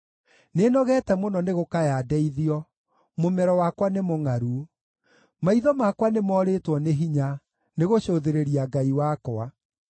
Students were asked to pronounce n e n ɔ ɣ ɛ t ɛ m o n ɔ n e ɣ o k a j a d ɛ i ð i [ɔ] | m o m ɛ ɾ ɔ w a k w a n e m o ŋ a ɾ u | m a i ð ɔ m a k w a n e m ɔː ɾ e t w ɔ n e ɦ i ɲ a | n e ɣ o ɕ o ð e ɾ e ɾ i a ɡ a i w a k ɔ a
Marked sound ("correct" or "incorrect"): correct